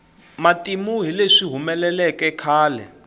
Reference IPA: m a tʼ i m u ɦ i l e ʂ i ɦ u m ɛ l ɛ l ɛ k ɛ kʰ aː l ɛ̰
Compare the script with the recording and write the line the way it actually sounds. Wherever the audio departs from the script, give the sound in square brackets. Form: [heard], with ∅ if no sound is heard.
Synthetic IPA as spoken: m a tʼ i m u ɦ i l e ʂ i ɦ u m ɛ l ɛ l ɛ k ɛ kʰ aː l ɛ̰